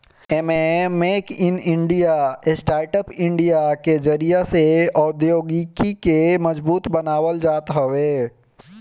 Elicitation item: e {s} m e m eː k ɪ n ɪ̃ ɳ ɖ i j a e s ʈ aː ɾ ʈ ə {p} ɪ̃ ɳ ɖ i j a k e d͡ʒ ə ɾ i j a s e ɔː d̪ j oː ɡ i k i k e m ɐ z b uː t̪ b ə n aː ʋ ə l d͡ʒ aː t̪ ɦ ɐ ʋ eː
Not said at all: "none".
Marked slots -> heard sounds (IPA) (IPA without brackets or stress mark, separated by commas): none, p